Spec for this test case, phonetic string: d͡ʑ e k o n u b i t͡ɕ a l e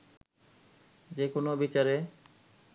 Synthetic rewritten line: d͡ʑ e k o n o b i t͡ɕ a ɾ e